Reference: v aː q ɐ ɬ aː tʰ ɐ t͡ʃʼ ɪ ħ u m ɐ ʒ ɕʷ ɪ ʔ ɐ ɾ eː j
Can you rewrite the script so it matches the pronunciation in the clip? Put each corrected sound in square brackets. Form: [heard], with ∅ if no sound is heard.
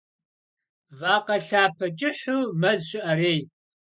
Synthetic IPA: v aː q ɐ ɬ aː [pʰ] ɐ t͡ʃʼ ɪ ħ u m ɐ [z] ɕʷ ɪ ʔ ɐ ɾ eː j

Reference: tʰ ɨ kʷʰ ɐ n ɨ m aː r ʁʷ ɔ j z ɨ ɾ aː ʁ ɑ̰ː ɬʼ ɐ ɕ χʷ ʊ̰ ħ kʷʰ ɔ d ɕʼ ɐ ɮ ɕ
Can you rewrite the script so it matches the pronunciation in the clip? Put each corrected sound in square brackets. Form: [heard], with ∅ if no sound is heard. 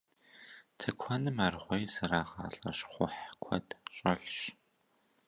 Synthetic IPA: tʰ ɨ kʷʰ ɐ n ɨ m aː r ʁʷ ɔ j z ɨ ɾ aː ʁ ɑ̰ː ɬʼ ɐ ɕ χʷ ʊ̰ ħ kʷʰ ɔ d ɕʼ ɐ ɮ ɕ

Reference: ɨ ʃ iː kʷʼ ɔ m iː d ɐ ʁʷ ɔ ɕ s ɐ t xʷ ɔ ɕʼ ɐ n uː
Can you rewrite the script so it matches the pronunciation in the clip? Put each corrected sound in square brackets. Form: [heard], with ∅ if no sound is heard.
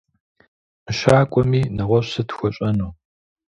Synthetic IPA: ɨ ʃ [aː] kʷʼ ɔ m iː [n] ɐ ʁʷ ɔ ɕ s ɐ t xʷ ɔ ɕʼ ɐ n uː

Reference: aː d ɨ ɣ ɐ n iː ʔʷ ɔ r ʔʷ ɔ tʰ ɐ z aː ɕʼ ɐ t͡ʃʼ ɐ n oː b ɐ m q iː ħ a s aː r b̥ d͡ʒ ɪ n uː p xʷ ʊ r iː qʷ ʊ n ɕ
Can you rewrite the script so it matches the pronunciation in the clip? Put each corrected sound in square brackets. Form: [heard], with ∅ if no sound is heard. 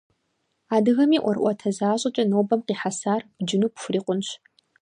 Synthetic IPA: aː d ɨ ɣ ɐ [m] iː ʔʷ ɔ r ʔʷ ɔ tʰ ɐ z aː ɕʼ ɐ t͡ʃʼ ɐ n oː b ɐ m q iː ħ a s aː r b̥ d͡ʒ ɪ n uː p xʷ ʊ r iː qʷ ʊ n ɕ

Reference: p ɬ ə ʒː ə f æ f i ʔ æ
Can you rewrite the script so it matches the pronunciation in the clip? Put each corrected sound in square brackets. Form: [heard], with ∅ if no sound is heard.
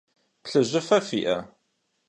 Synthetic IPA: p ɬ ə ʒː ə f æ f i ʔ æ

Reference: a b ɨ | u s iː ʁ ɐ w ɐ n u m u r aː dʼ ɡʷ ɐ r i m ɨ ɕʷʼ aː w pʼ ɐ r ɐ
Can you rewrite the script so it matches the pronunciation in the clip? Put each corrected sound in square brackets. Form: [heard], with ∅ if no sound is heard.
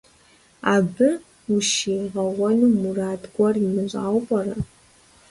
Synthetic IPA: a b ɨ | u [ʃ] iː ʁ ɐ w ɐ n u m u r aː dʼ ɡʷ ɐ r i m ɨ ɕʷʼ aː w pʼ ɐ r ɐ

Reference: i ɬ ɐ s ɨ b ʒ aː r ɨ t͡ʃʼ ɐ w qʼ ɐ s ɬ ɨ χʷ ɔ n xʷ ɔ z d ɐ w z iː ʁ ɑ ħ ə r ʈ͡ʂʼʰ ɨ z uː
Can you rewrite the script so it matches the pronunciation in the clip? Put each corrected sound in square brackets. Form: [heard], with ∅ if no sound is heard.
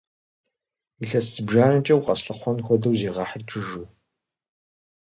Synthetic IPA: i ɬ ɐ s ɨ b ʒ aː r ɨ t͡ʃʼ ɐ w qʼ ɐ s ɬ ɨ χʷ ɔ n xʷ ɔ [∅] d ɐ w z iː ʁ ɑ ħ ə r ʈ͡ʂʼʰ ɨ [ʒ] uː

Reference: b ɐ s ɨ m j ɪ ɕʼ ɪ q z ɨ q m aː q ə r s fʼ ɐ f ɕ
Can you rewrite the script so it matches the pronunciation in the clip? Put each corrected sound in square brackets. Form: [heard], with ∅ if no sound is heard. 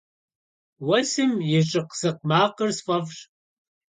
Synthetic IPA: [w] ɐ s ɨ m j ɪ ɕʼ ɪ q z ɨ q m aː q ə r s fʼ ɐ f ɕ

